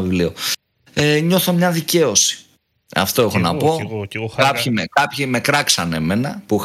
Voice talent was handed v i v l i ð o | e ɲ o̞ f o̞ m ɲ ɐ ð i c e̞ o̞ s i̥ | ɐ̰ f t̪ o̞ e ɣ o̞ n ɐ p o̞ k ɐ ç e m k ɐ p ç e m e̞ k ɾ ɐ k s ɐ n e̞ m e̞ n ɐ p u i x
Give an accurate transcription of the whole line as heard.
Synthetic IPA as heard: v i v l i o | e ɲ o̞ θ o̞ m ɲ ɐ ð i c e̞ o̞ s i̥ | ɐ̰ f t̪ o̞ e x o̞ n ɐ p o̞ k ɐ ç i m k ɐ p ç i m e̞ k ɾ ɐ k s ɐ n e̞ m e̞ n ɐ p u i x